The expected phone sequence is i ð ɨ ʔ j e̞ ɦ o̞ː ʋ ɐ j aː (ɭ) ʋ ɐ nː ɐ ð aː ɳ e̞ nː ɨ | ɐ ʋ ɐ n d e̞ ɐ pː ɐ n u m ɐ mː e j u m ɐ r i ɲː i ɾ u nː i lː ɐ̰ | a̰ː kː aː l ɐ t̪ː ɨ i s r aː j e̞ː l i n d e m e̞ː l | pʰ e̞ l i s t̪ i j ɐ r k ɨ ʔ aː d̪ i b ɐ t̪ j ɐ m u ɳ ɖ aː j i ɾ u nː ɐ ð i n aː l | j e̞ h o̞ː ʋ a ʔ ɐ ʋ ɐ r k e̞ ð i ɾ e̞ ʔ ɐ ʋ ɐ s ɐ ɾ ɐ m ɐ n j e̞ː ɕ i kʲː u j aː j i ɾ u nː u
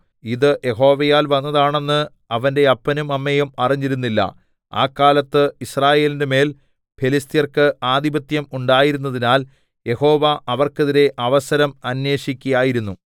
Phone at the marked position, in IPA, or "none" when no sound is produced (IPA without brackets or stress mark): l